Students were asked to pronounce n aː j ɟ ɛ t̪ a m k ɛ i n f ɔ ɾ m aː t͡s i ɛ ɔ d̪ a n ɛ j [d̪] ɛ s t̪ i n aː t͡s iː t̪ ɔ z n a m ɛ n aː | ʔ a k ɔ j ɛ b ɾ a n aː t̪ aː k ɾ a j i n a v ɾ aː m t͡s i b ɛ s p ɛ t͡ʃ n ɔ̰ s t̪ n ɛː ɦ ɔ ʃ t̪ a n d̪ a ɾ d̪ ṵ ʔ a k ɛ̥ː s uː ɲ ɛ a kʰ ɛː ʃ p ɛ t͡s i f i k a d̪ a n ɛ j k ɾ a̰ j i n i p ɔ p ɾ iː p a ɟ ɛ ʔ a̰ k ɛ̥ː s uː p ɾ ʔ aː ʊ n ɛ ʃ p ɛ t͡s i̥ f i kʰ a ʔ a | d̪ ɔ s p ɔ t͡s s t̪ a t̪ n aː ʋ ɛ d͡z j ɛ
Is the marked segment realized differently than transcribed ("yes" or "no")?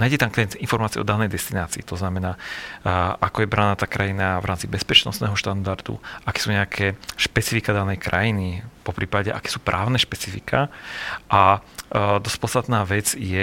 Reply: no